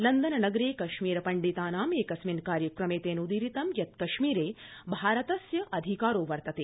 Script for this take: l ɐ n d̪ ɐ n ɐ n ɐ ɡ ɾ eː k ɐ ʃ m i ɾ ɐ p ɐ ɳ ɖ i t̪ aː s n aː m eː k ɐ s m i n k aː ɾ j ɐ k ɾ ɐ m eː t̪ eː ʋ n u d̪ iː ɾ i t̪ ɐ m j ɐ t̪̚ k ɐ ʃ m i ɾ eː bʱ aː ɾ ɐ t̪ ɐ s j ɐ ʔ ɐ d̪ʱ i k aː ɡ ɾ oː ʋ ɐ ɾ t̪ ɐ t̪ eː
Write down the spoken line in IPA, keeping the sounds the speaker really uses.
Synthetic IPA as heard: l ɐ n d̪ ɐ n ɐ n ɐ ɡ ɾ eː k ɐ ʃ m iː ɾ ɐ p ɐ ɳ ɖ i t̪ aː n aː m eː k ɐ s m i n k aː ɾ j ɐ k ɾ ɐ m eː t̪ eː n u d̪ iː ɾ i t̪ ɐ m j ɐ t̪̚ k ɐ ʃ m iː ɾ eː bʱ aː ɾ ɐ t̪ ɐ s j ɐ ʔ ɐ d̪ʱ i k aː ɾ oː ʋ ɐ ɾ t̪ ɐ t̪ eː